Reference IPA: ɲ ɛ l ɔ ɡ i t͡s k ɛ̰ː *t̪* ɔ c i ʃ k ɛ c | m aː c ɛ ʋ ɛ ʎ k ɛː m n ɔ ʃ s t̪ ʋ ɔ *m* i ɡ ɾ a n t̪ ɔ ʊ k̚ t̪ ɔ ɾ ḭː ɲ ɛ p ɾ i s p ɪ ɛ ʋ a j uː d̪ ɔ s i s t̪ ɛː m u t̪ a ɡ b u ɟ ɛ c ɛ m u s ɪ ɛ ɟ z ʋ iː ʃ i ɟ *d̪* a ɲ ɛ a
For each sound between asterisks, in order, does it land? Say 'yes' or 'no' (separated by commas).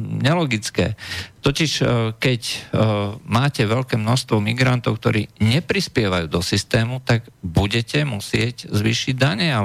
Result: yes, yes, yes